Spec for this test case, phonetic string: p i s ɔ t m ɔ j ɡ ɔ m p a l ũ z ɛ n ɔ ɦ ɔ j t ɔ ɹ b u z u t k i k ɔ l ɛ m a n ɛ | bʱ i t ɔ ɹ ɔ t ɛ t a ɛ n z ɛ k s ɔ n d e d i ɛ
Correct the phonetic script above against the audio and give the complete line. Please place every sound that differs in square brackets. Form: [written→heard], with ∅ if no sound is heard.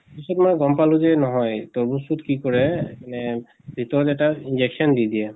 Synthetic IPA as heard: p i s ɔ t m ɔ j ɡ ɔ m p a l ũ z ɛ n ɔ ɦ ɔ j t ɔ ɹ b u [z→s] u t k i k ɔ [l→ɹ] ɛ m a n ɛ | bʱ i t ɔ ɹ ɔ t ɛ t a [ɛ→i] n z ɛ k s ɔ n d [e→i] d i ɛ